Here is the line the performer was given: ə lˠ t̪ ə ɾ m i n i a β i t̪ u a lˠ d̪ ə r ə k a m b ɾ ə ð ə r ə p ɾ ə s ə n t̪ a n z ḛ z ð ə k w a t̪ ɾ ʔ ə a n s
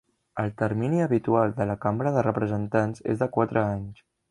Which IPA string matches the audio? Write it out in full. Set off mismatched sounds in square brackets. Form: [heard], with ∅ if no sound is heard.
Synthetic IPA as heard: ə lˠ t̪ ə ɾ m i n i [ə] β i t̪ u a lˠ d̪ ə [l] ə k a m b ɾ ə ð ə r ə p ɾ ə [z] ə n t̪ a n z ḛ z ð ə k w a t̪ ɾ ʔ ə a [ɲ] s